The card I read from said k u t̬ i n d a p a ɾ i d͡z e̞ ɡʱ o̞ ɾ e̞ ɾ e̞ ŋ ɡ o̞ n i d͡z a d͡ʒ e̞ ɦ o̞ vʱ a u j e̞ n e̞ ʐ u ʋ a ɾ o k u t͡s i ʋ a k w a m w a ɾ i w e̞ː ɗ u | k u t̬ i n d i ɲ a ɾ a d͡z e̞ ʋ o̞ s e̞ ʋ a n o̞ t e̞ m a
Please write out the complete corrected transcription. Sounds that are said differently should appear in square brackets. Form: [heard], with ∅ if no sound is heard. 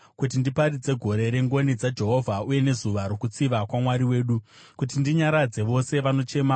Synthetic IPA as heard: k u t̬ i n d [i] p a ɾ i d͡z e̞ ɡʱ o̞ ɾ e̞ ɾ e̞ ŋ ɡ o̞ n i d͡z a d͡ʒ e̞ ɦ o̞ vʱ a u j e̞ n e̞ [z] u ʋ a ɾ o k u t͡s i ʋ a k w a m w a ɾ i w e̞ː ɗ u | k u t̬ i n d i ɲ a ɾ a d͡z e̞ ʋ o̞ s e̞ ʋ a n o̞ [t͡ʃ] e̞ m a